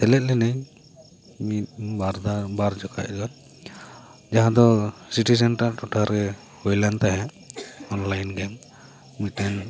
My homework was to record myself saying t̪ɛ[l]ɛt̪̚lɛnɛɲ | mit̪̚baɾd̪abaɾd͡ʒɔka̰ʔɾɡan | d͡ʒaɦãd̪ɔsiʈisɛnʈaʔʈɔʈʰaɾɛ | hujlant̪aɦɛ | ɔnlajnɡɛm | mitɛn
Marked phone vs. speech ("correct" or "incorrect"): correct